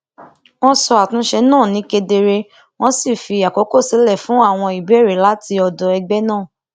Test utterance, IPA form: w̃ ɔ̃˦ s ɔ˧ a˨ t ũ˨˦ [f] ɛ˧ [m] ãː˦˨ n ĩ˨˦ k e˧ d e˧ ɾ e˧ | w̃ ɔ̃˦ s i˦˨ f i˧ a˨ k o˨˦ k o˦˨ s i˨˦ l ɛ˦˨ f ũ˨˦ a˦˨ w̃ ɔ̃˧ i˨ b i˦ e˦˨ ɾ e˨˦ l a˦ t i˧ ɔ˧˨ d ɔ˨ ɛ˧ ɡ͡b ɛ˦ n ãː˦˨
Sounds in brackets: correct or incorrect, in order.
incorrect: ʃ, incorrect: n

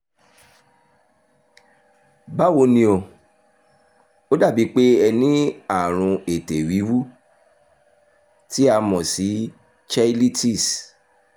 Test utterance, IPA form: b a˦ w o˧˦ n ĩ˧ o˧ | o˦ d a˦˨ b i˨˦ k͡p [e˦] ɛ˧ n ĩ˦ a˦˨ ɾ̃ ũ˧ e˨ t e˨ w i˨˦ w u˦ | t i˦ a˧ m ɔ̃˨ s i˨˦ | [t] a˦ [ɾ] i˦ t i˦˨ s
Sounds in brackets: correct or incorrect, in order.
correct, incorrect: t͡ʃ, incorrect: l

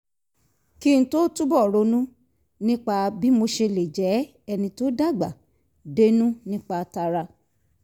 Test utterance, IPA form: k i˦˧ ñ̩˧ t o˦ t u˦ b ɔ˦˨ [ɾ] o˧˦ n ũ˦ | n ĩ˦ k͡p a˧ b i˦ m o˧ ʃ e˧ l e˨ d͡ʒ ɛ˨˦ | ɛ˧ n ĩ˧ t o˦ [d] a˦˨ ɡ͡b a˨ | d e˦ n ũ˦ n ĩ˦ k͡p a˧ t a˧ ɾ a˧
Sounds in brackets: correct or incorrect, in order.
correct, correct

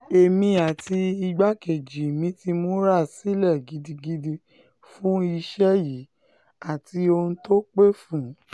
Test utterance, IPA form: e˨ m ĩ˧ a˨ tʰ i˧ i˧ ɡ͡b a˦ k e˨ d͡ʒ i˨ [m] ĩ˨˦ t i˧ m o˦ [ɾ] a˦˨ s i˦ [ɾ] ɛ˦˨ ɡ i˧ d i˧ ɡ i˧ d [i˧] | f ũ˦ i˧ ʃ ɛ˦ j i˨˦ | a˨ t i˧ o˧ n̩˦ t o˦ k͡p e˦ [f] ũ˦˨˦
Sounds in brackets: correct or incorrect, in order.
correct, correct, incorrect: l, correct, correct

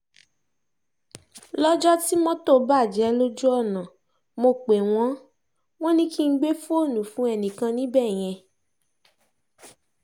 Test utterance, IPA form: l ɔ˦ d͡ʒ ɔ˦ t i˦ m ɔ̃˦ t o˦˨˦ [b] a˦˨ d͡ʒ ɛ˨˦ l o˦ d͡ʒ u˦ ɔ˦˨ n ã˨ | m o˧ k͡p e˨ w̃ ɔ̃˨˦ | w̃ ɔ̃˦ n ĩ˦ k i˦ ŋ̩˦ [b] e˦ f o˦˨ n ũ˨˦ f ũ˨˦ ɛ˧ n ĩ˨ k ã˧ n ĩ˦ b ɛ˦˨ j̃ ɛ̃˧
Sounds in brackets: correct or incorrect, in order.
correct, incorrect: ɡ͡b

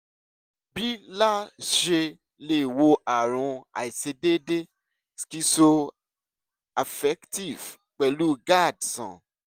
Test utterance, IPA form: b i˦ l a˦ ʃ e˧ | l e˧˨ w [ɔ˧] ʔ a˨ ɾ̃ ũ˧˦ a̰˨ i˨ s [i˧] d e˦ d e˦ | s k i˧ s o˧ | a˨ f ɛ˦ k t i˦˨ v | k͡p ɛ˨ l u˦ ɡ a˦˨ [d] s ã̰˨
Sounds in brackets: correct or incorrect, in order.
incorrect: o˧, incorrect: e˧, correct

